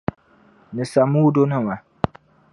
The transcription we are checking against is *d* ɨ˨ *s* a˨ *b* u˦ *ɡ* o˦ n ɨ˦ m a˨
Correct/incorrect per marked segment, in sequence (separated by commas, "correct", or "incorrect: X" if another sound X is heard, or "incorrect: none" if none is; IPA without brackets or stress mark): incorrect: n, correct, incorrect: m, incorrect: d